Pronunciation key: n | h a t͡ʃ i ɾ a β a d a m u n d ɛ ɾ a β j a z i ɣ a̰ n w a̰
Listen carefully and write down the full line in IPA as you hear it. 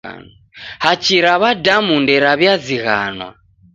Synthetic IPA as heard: n | h a t͡ʃ i ɾ a β a d a m u n d ɛ ɾ a β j a z i ɣ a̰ n w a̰